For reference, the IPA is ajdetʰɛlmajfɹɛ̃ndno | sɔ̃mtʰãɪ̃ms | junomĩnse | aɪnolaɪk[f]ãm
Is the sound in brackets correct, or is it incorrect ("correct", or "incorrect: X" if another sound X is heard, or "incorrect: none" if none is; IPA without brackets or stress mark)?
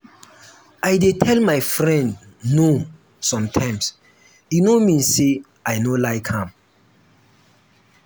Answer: incorrect: h